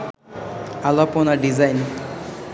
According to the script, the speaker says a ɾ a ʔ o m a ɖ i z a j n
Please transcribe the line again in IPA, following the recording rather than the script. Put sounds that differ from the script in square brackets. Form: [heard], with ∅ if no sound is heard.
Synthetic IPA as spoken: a [l] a [p] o [n] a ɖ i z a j n